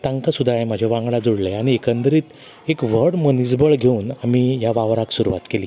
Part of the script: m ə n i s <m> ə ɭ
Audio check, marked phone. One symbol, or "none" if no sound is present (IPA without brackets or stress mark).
b